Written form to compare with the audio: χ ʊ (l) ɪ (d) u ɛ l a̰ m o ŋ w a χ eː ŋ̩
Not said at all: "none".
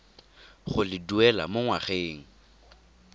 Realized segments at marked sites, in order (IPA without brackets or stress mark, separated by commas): l, d